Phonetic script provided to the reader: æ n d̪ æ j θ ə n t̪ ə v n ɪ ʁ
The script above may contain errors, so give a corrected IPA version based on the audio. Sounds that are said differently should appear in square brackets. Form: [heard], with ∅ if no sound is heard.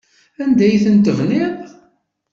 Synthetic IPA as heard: æ n d̪ æ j θ ə n t̪ ə v n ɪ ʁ